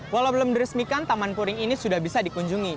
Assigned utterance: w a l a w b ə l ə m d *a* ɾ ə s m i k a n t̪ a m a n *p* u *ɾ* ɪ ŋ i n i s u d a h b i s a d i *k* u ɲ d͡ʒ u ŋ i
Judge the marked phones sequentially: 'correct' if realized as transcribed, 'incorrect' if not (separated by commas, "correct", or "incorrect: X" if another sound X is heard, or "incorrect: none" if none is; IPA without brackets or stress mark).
incorrect: i, correct, correct, correct